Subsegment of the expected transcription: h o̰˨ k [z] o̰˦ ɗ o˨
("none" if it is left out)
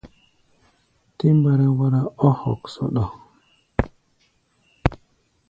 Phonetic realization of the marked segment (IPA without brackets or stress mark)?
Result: s